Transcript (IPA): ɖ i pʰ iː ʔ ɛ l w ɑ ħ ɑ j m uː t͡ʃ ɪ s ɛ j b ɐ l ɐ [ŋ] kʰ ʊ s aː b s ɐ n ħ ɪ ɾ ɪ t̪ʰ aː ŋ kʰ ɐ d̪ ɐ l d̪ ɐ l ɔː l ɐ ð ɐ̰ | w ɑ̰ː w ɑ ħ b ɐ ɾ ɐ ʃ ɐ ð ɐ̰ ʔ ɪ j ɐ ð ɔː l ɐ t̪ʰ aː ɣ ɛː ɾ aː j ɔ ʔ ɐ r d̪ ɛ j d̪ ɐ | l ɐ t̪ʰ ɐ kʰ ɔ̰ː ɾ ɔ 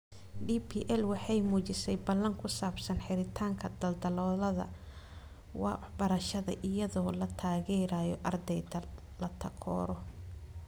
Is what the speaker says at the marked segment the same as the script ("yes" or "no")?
yes